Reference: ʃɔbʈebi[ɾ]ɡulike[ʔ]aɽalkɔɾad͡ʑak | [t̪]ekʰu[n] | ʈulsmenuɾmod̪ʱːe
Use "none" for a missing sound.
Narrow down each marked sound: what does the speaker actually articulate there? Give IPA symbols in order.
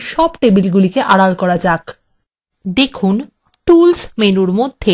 l, ʔ, d̪, n

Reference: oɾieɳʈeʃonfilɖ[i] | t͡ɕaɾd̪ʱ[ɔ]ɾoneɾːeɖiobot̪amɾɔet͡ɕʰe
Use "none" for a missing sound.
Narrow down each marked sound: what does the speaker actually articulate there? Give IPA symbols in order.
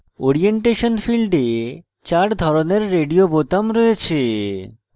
e, ɔ

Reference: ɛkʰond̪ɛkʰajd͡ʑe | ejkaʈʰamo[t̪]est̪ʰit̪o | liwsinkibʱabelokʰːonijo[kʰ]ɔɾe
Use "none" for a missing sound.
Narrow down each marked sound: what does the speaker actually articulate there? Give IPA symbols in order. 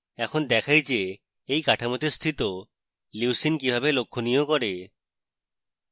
t̪, k

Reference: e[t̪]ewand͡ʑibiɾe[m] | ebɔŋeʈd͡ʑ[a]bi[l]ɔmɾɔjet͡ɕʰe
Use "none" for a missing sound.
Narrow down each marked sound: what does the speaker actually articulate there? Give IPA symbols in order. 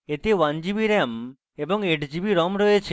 t̪, m, i, ɾ

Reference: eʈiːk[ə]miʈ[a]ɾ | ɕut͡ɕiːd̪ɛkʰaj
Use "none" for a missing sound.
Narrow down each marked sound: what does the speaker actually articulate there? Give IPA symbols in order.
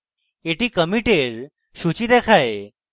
ə, e

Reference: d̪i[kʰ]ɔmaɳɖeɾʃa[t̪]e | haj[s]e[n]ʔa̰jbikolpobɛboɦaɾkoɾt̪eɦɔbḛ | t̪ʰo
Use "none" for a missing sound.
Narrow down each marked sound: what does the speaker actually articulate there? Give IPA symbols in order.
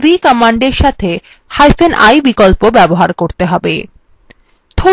k, t̪ʰ, f, n

